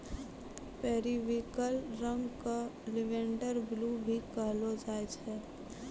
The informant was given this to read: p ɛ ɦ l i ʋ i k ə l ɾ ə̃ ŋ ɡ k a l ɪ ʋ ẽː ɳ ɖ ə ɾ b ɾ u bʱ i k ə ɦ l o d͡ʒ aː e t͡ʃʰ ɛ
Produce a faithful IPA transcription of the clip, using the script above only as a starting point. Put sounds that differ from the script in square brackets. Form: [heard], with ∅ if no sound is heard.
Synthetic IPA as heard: p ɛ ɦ [ɾ] i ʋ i k ə l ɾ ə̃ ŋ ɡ k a l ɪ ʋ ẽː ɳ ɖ ə ɾ b [l] u bʱ i k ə ɦ l o d͡ʒ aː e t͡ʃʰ ɛ

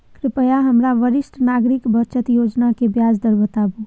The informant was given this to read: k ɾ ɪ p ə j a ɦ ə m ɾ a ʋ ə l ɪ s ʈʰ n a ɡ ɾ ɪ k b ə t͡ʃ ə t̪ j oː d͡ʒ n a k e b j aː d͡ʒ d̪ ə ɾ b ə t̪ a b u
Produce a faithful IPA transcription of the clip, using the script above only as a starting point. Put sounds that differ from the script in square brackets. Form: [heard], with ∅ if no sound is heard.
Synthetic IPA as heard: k ɾ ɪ p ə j a ɦ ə m ɾ a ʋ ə [ɾ] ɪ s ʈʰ n a ɡ ɾ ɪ k b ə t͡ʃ ə t̪ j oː d͡ʒ n a k e b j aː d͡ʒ d̪ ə ɾ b ə t̪ a b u

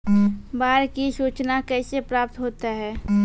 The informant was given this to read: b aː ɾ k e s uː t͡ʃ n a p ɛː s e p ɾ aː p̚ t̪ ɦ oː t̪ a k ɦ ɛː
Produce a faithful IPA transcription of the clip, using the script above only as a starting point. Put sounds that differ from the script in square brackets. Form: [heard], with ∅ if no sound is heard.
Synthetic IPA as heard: b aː ɾ k [i] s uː t͡ʃ n a [k] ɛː s e p ɾ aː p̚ t̪ ɦ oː t̪ a [∅] ɦ ɛː

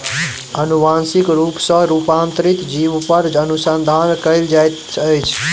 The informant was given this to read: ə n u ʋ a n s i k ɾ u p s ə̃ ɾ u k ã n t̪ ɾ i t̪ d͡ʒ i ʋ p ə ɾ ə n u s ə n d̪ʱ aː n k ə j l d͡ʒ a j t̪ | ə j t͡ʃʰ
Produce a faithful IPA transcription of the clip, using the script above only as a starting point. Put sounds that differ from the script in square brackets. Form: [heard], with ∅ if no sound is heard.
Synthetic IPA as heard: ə n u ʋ a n s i k ɾ u p s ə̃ ɾ u [p] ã n t̪ ɾ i t̪ d͡ʒ i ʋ p ə ɾ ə n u s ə n d̪ʱ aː n k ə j l d͡ʒ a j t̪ | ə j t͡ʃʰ

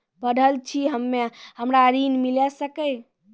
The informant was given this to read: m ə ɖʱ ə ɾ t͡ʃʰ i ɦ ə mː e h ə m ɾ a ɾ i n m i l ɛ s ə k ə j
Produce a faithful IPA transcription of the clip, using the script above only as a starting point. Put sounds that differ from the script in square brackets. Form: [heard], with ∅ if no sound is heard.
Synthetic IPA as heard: [b] ə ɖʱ ə [l] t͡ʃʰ i ɦ ə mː e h ə m ɾ a ɾ i n m i l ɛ s ə k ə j

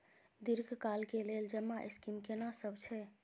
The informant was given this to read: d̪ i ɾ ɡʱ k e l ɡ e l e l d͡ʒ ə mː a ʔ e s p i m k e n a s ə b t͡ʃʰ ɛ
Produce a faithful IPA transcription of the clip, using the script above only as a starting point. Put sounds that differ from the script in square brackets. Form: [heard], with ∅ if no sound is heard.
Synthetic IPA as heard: d̪ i ɾ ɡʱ k [a] l [k] e l e l d͡ʒ ə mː a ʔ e s [k] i m k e n a s ə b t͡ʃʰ ɛ

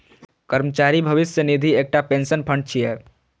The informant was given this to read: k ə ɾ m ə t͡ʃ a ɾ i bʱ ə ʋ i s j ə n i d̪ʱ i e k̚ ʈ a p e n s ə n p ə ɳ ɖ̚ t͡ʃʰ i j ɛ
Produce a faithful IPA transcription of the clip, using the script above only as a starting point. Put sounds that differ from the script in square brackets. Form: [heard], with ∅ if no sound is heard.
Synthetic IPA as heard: k ə ɾ m ə t͡ʃ a ɾ i bʱ ə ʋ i s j ə n i d̪ʱ i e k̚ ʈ a p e n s ə n [pʰ] ə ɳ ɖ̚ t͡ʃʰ i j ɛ

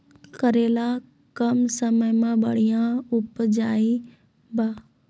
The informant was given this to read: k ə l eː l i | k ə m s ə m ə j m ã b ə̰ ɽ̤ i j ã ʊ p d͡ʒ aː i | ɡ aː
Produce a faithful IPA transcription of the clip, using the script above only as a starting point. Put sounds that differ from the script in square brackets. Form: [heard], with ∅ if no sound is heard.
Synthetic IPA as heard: k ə [ɾ] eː l [a] | k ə m s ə m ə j m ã b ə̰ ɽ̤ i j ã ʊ p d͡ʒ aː i | [b] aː

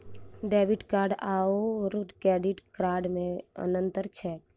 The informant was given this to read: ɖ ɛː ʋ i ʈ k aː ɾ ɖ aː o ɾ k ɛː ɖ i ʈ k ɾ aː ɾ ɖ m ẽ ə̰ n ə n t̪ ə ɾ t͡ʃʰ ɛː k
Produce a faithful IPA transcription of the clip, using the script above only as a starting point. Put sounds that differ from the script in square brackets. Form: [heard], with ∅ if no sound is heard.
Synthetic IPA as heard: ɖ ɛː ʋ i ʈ k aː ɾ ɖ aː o ɾ k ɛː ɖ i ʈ k ɾ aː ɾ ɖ m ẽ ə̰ n ə n t̪ ə ɾ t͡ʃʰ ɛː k

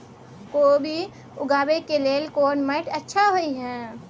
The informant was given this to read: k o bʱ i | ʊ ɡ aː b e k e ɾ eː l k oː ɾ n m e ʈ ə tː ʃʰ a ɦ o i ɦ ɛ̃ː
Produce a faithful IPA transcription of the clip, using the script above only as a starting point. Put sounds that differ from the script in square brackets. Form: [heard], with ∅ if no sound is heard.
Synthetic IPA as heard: k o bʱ i | ʊ ɡ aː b e k e [l] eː l k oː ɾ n m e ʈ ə tː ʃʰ a ɦ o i ɦ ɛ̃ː

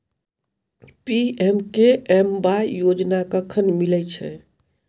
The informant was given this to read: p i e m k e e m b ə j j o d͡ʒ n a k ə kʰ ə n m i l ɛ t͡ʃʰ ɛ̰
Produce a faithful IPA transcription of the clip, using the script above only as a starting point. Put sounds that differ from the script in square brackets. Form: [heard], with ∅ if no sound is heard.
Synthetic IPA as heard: p i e m k e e m b [a] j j o d͡ʒ n a k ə kʰ ə n m i l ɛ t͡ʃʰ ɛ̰

